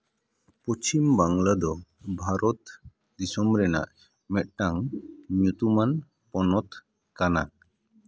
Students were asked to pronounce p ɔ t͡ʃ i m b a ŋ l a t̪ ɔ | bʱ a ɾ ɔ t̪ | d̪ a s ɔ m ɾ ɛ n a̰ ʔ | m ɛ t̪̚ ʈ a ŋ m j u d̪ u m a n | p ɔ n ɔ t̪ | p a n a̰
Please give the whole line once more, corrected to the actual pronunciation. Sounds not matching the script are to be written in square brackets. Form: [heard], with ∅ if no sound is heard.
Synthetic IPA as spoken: p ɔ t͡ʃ i m b a ŋ l a [d̪] ɔ | bʱ a ɾ ɔ t̪ | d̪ [i] s ɔ m ɾ ɛ n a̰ ʔ | m ɛ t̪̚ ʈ a ŋ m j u [t̪] u m a n | p ɔ n ɔ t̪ | [k] a n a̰